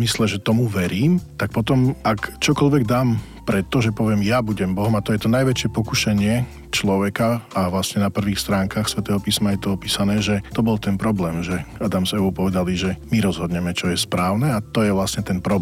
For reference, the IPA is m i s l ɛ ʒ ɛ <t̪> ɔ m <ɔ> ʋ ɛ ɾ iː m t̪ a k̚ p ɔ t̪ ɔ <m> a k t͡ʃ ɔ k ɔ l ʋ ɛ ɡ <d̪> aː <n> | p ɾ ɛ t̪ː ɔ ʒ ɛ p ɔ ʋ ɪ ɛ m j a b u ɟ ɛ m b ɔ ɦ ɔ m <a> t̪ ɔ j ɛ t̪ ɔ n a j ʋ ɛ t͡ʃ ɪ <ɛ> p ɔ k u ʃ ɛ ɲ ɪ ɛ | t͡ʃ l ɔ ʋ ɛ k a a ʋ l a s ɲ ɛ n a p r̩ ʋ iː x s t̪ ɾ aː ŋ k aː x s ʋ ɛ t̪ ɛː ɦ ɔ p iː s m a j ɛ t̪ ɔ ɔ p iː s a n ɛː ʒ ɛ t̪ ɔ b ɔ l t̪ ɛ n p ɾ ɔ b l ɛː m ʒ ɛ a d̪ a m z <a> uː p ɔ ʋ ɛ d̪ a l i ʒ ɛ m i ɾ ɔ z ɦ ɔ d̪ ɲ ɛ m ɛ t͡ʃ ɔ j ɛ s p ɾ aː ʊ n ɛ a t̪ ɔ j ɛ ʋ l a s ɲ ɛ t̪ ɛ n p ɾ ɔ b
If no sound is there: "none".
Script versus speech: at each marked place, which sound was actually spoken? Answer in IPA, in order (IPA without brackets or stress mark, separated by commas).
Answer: t̪, u, m, d̪, m, a, ɛ, ɛ